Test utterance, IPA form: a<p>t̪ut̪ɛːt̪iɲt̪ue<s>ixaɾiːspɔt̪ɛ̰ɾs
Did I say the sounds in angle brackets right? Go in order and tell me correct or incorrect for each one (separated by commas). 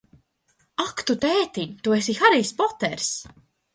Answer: incorrect, correct